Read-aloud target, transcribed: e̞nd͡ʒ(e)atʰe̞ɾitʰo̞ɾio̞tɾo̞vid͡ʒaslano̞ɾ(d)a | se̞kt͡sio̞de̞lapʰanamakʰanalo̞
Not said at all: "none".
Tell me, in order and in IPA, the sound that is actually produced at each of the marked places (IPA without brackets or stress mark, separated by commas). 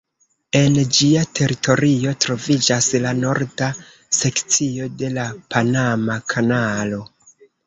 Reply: i, d